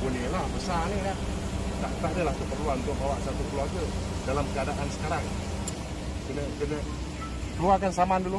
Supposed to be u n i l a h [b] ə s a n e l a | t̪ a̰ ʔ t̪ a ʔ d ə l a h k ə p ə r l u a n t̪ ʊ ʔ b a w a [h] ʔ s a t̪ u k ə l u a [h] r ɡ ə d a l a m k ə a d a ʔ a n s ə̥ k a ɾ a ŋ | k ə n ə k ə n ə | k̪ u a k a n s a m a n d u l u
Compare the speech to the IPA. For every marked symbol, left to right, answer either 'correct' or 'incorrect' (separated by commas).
correct, incorrect, incorrect